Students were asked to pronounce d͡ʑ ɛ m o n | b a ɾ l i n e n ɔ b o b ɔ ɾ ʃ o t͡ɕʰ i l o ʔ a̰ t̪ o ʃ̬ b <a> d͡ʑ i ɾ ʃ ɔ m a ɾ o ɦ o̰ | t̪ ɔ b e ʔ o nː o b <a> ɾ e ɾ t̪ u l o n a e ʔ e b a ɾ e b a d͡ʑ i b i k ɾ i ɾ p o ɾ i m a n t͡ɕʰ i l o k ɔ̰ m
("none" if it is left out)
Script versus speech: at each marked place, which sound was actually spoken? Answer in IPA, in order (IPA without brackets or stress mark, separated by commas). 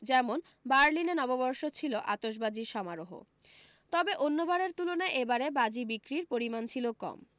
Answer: a, a